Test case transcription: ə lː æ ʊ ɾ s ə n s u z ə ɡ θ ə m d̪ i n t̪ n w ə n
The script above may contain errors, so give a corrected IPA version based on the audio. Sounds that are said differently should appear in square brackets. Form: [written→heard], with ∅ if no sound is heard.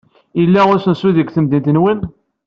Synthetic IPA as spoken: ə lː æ ʊ ɾ s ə n s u [z→ð] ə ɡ θ ə m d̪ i n t̪ n w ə n